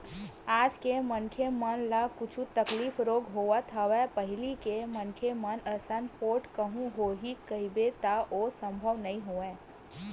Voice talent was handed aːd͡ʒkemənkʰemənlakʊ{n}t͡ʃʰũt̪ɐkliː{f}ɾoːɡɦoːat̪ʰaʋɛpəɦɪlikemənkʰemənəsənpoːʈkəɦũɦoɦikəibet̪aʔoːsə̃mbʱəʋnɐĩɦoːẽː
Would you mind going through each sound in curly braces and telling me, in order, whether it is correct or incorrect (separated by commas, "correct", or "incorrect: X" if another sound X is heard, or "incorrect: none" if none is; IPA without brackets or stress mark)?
incorrect: none, correct